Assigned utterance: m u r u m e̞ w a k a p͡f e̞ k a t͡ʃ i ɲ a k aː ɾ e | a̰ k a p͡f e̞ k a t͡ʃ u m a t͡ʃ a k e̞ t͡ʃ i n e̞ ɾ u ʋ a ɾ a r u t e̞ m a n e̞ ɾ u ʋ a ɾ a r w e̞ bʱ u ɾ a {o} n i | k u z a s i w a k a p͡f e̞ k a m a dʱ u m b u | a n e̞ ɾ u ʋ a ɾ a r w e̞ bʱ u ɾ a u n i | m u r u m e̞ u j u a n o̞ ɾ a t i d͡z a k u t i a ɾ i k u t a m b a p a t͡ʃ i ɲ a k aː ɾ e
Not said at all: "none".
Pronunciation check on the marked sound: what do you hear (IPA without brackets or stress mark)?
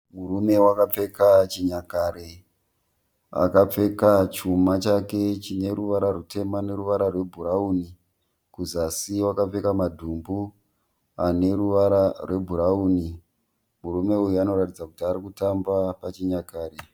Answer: u